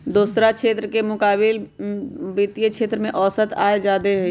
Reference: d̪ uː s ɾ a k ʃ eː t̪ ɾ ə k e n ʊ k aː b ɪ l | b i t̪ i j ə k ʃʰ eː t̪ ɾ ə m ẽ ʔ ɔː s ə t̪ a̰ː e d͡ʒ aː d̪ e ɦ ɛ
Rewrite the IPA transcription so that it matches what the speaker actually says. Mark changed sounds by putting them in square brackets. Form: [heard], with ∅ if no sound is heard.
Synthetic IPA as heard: d̪ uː s ɾ a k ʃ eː t̪ ɾ ə k e [m] ʊ k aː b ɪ l | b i t̪ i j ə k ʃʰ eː t̪ ɾ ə m ẽ ʔ ɔː s ə t̪ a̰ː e d͡ʒ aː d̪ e ɦ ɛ

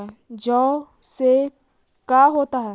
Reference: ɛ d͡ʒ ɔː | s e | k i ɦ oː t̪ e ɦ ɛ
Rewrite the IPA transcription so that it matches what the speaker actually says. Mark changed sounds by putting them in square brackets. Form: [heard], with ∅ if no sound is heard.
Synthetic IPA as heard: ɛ d͡ʒ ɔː | s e | k [a] ɦ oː t̪ [a] ɦ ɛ

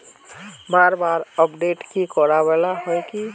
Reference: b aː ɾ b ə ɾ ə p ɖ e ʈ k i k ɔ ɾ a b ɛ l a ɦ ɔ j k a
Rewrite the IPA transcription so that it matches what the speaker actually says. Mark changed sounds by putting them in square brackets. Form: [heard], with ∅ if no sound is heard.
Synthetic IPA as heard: b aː ɾ b [a] ɾ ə p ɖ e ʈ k i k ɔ ɾ a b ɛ l a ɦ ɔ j k [i]

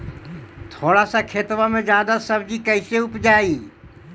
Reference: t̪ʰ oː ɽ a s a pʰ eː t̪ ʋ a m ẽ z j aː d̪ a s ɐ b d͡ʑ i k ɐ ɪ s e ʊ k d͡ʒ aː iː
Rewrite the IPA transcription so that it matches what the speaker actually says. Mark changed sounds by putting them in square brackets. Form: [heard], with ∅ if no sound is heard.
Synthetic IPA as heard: t̪ʰ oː ɽ a s a [kʰ] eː t̪ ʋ a m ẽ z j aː d̪ a s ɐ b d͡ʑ i k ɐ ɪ s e ʊ [p] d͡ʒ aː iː

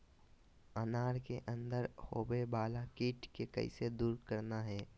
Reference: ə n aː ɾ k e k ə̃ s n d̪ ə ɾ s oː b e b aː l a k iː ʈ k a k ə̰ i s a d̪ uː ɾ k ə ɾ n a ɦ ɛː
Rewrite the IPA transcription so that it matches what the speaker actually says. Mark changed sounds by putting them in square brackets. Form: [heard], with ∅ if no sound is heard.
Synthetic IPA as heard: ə n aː ɾ k e [ʔ] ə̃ [∅] n d̪ ə ɾ [h] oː b e b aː l a k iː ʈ k [e] k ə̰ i s [e] d̪ uː ɾ k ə ɾ n a ɦ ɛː

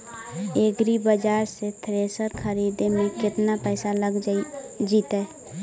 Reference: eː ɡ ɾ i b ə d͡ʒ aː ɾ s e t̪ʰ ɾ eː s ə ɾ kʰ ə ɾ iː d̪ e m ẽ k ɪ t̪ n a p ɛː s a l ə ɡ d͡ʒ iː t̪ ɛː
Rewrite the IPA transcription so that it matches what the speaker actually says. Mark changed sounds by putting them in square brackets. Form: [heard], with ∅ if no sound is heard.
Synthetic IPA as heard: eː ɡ ɾ i b ə d͡ʒ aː ɾ s e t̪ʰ ɾ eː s ə ɾ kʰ ə ɾ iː d̪ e m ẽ k ɪ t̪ n a p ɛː s a l ə ɡ d͡ʒ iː t̪ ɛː

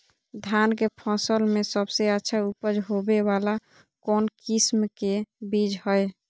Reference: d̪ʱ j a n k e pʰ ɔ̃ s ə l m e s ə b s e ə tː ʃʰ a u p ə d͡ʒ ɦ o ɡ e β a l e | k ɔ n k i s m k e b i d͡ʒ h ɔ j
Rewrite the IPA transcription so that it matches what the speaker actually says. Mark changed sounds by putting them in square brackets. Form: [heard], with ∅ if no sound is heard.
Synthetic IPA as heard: d̪ʱ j a n k e pʰ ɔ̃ s ə l m e s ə b s e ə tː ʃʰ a u p ə d͡ʒ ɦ o [b] e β a l [a] | k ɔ n k i s m k e b i d͡ʒ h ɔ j

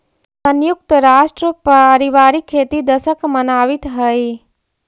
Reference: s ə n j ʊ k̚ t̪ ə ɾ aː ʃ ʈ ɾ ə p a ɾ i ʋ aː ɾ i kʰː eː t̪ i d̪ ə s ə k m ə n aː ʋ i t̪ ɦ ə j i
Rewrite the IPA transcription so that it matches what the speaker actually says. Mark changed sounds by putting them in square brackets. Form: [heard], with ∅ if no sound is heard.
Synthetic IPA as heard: s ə n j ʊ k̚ t̪ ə ɾ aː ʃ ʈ ɾ ə p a ɾ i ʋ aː ɾ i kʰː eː t̪ i d̪ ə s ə k m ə n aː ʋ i t̪ ɦ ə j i

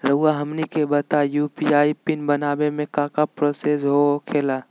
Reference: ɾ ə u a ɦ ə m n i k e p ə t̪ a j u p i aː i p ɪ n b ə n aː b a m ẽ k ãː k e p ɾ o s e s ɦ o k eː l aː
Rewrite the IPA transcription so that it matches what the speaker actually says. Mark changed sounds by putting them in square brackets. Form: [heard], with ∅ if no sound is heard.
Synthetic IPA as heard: ɾ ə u a ɦ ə m n i k e [b] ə t̪ a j u p i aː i p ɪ n b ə n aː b [e] m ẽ k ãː k [a] p ɾ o s e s ɦ o [kʰ] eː l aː

